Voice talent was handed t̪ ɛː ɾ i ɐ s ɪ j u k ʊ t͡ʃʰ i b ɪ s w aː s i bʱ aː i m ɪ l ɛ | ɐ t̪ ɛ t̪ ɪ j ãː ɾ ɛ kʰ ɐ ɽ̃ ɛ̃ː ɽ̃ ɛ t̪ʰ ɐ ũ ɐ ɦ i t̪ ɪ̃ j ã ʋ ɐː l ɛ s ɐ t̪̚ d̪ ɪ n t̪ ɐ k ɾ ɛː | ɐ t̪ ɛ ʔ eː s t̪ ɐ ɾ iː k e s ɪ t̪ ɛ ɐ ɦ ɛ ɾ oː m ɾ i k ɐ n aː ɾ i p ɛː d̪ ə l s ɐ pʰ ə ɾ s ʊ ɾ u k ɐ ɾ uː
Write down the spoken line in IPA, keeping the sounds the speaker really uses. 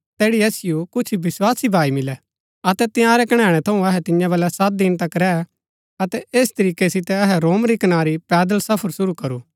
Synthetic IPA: t̪ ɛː ɽ i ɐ s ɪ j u k ʊ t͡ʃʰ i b ɪ s w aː s i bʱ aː i m ɪ l ɛ | ɐ t̪ ɛ t̪ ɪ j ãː ɾ ɛ k ɐ ɽ̃ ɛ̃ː ɽ̃ ɛ t̪ʰ ɐ ũ ɐ ɦ ɛ t̪ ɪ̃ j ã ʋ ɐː l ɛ s ɐ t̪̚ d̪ ɪ n t̪ ɐ k ɾ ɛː | ɐ t̪ ɛ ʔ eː s t̪ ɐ ɾ iː k e s ɪ t̪ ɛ ɐ ɦ ɛ ɾ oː m ɾ i k ɐ n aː ɾ i p ɛː d̪ ə l s ɐ pʰ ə ɾ s ʊ ɾ u k ɐ ɾ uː